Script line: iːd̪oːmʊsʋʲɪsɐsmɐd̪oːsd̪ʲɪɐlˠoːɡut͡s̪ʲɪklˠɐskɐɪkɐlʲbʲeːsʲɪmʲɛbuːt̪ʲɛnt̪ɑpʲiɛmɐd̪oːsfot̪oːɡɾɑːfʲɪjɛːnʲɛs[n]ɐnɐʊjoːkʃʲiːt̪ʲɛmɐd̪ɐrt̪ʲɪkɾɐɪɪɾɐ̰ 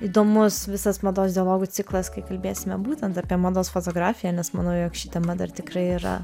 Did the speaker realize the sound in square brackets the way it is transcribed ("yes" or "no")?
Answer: no